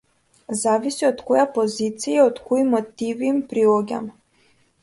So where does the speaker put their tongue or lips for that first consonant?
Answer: tongue tip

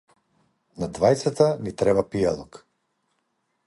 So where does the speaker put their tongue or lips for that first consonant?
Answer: tongue tip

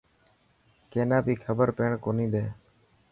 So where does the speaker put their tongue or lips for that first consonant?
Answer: velum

